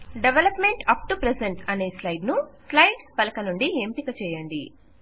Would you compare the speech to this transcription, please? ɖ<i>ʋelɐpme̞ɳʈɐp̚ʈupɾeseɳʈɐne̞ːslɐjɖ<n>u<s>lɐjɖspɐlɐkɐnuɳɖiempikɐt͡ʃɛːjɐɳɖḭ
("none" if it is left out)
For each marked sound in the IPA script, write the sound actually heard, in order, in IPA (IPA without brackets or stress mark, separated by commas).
e, n, s